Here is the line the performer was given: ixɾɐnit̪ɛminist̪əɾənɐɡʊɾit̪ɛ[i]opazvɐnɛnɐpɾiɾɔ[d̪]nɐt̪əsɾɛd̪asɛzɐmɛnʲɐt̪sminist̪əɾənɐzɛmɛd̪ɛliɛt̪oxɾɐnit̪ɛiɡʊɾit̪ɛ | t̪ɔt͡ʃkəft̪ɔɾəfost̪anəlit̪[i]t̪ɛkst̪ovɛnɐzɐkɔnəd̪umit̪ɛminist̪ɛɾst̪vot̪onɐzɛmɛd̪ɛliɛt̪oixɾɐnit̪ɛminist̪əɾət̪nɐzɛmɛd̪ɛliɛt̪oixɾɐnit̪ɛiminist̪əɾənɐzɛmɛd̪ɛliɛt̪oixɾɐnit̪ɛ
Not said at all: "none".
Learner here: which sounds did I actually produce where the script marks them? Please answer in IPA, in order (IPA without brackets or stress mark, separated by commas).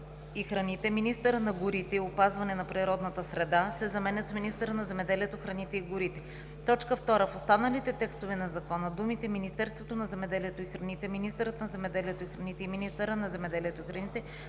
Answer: i, d̪, ɛ